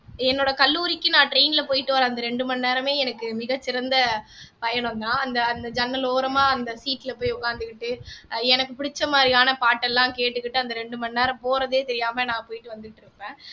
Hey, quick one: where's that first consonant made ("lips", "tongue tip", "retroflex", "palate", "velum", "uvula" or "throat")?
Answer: tongue tip